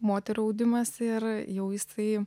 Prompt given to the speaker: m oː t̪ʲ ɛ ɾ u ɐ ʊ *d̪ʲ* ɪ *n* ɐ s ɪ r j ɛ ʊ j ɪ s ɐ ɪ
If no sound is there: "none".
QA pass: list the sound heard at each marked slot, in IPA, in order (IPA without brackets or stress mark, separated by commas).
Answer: d̪ʲ, m